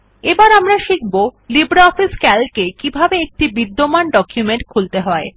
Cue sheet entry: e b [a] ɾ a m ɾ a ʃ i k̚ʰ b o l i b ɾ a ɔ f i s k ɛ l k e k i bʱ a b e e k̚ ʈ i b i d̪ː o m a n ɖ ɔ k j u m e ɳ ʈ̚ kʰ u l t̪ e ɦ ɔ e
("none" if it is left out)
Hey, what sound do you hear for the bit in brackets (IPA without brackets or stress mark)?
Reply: a